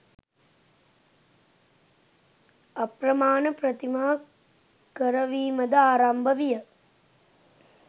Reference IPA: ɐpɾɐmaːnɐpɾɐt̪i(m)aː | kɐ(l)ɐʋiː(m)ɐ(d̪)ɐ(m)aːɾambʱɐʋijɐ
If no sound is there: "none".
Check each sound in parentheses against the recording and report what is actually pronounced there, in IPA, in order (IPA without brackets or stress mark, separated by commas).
m, ɾ, m, d̪, none